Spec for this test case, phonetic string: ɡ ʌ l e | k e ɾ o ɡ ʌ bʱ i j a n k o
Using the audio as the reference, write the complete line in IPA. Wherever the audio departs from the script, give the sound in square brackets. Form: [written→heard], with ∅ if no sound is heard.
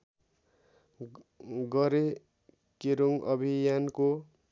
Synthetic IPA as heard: ɡ ʌ [l→ɾ] e | k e ɾ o [ɡ→ŋ] ʌ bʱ i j a n k o